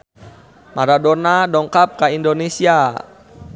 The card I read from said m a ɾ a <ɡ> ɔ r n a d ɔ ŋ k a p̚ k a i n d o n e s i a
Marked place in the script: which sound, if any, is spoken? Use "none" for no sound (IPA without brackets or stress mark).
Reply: d